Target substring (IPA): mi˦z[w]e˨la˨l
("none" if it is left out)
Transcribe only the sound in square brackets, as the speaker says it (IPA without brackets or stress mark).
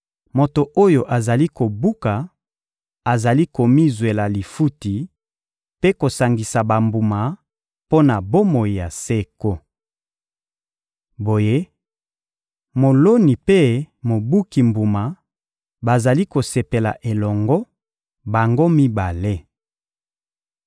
w